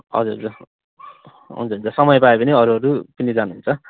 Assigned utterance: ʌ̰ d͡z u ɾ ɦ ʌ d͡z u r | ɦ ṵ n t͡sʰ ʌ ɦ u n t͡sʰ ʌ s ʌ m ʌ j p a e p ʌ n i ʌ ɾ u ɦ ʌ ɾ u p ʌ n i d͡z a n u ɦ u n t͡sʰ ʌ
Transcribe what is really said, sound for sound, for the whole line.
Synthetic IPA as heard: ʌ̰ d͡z u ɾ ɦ ʌ d͡z u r | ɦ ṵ n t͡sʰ ʌ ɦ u n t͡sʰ ʌ s ʌ m ʌ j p a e p ʌ n i ʌ ɾ u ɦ ʌ ɾ u p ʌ n i d͡z a n u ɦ u n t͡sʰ ʌ

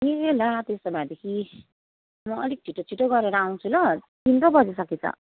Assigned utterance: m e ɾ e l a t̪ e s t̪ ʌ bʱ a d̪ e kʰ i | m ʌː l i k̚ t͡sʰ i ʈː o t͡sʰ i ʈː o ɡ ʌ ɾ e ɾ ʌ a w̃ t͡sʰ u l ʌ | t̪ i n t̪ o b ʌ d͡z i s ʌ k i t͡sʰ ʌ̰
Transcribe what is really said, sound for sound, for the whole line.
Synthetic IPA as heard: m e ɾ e l a t̪ e s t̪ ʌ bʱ a d̪ e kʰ i | m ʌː l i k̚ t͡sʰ i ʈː o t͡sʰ i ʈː o ɡ ʌ ɾ e ɾ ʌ a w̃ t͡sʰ u l ʌ | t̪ i n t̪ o b ʌ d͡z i s ʌ k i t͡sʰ ʌ̰

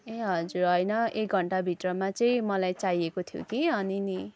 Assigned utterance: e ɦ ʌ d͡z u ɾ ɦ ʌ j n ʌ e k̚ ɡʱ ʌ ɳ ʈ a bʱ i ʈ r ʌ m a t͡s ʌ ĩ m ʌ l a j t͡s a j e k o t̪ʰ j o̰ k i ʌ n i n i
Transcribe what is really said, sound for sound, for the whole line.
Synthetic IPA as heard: e ɦ ʌ d͡z u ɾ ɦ ʌ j n ʌ e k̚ ɡʱ ʌ ɳ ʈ a bʱ i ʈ r ʌ m a t͡s ʌ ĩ m ʌ l a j t͡s a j e k o t̪ʰ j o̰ k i ʌ n i n i

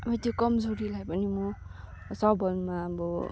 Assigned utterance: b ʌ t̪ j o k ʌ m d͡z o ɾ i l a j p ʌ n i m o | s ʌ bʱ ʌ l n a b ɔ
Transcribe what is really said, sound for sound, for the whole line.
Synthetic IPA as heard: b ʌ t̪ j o k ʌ m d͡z o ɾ i l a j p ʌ n i m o | s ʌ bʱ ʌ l m a b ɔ

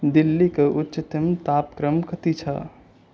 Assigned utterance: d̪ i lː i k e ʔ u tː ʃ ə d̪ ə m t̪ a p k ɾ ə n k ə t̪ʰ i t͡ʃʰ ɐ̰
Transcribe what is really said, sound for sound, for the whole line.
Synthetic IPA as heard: d̪ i lː i k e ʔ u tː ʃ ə t̪ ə m t̪ a p k ɾ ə m k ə t̪ i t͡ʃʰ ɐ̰

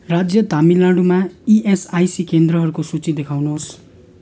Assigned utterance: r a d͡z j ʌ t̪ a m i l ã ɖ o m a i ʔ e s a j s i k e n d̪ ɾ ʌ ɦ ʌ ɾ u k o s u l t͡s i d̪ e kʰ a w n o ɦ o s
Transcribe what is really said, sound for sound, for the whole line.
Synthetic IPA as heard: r a d͡z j ʌ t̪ a m i l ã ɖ u m a i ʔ e s a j s i k e n d̪ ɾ ʌ ɦ ʌ ɾ u k o s u t͡s i d̪ e kʰ a w n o ɦ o s

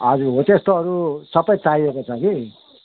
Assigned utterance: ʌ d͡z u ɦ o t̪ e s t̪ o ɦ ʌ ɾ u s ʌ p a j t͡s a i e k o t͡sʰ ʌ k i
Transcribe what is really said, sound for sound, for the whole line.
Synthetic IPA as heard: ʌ d͡z u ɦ o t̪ e s t̪ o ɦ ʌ ɾ u s ʌ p ʌ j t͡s a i e k o t͡sʰ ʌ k i

